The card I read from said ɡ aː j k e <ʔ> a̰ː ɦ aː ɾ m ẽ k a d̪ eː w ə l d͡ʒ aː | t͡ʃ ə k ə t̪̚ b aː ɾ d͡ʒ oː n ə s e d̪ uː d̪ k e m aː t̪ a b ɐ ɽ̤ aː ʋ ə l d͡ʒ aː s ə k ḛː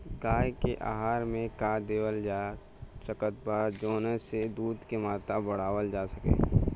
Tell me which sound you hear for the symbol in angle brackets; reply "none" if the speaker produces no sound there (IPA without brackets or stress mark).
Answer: ʔ